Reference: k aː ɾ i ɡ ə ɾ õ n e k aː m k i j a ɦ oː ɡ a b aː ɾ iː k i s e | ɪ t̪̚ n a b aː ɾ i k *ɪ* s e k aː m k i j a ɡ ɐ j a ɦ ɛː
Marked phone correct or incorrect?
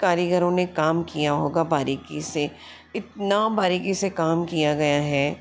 incorrect